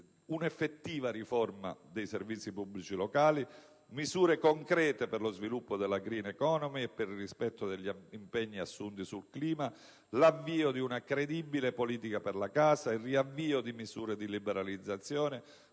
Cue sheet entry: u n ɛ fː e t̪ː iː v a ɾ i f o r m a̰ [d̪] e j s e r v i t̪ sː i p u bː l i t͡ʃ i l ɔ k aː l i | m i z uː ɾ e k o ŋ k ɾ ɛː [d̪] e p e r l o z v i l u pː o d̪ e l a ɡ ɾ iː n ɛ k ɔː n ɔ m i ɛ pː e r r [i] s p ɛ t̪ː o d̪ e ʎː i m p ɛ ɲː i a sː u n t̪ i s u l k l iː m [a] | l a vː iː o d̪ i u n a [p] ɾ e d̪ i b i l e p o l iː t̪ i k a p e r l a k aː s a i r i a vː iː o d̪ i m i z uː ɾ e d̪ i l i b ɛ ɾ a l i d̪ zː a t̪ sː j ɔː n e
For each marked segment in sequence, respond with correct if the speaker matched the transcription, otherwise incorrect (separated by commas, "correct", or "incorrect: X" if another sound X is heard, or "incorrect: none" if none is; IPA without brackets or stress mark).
correct, incorrect: t̪, correct, correct, incorrect: k